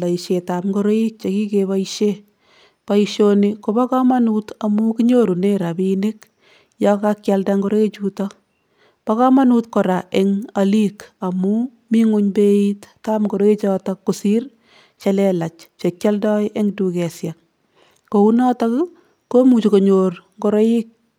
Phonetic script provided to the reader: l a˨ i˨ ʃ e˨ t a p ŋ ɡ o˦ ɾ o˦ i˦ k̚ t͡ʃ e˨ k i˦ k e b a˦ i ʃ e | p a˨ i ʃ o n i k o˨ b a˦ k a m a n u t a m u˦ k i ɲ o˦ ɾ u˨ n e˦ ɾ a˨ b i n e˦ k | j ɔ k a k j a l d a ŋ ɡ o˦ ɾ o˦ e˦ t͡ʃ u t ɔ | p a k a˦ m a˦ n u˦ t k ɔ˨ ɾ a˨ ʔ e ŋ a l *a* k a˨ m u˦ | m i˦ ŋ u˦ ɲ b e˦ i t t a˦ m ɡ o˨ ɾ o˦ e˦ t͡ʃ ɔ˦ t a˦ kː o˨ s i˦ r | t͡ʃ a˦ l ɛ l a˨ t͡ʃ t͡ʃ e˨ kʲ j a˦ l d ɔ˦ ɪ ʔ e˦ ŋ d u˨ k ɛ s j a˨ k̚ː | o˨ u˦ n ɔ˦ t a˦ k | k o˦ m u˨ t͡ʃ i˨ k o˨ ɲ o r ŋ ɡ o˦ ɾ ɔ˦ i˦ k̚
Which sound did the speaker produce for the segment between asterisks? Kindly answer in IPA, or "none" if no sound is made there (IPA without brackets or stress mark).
i